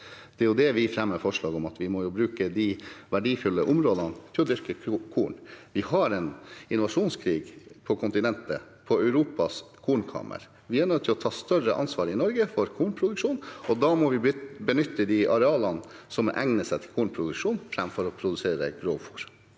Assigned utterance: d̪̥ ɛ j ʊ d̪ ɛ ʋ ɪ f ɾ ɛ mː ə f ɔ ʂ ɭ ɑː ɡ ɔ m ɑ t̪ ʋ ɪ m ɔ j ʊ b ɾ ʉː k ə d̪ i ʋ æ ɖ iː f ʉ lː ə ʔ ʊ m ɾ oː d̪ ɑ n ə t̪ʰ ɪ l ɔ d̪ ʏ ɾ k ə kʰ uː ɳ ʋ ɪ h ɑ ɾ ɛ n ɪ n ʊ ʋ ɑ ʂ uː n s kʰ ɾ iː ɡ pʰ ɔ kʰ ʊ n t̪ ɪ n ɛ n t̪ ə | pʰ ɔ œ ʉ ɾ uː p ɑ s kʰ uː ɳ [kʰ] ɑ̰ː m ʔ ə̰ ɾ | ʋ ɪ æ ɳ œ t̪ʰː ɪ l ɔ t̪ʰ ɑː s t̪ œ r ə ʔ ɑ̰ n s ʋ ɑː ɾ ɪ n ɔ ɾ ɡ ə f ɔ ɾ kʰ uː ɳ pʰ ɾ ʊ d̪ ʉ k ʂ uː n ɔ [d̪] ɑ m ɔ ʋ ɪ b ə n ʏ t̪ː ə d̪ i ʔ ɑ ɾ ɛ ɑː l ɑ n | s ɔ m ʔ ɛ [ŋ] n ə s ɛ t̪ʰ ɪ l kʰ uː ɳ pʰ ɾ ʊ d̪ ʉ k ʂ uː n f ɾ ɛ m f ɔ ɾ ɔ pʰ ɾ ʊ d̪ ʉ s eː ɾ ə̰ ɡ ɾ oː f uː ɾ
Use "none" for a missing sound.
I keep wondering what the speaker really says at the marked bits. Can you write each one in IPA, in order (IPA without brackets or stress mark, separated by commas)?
kʰ, d̪, ŋ